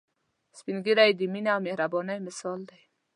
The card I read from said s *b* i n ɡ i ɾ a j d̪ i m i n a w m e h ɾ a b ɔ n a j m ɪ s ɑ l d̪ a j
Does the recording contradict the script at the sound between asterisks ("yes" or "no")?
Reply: yes